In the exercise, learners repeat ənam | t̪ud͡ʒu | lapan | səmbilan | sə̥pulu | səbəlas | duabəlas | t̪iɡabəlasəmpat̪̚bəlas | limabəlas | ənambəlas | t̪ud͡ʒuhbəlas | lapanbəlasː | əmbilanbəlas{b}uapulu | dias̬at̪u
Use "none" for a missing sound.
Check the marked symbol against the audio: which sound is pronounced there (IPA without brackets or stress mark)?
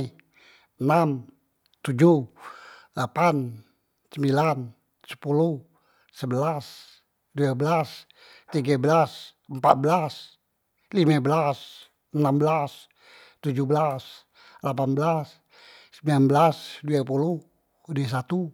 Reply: d